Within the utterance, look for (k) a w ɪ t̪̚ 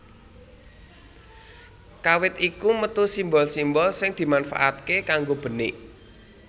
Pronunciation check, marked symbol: correct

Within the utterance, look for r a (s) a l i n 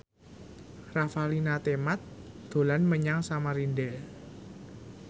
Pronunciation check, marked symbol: incorrect: f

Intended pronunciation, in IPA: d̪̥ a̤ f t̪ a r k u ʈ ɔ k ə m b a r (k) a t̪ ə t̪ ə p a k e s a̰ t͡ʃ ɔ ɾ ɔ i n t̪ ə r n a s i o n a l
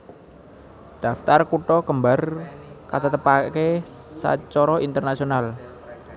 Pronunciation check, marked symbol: correct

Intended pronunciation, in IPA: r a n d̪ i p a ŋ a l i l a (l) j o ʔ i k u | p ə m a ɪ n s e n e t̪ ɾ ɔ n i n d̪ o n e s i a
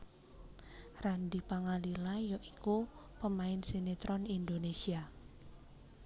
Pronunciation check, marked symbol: incorrect: none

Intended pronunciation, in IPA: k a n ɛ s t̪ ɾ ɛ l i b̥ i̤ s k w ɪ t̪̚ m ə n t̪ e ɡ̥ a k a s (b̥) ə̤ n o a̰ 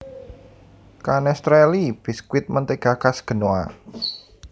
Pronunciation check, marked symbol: incorrect: ɡ̥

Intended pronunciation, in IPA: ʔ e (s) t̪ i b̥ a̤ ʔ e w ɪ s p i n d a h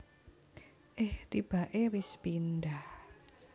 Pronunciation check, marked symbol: incorrect: h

